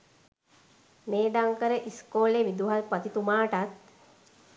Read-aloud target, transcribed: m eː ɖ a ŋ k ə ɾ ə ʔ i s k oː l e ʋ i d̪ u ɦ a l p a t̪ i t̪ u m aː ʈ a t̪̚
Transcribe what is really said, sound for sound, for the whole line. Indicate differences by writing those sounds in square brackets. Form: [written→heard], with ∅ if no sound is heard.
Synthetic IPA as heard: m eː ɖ a ŋ k ə ɾ ə ʔ i s k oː l e ʋ i d̪ u ɦ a l p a t̪ i t̪ u m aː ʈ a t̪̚